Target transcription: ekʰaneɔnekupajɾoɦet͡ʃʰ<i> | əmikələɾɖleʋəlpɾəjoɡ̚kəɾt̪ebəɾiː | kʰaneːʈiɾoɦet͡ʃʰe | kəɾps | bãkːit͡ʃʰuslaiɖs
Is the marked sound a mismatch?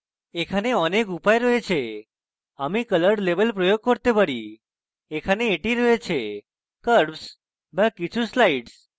yes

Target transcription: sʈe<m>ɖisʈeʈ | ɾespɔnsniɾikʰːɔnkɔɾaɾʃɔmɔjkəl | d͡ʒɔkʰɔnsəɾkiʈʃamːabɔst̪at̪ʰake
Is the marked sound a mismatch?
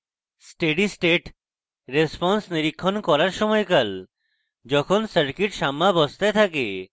yes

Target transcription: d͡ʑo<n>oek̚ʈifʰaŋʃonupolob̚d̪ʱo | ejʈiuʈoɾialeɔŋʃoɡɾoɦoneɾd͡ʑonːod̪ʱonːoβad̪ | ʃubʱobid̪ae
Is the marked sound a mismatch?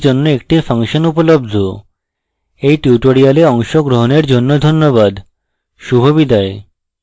yes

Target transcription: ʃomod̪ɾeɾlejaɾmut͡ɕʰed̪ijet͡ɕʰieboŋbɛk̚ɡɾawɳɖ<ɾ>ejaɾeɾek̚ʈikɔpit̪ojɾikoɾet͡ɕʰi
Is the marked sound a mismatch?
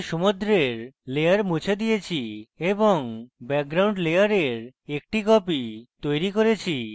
yes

